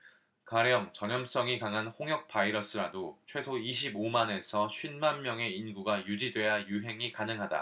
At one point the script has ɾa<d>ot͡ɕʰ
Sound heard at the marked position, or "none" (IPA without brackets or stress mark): d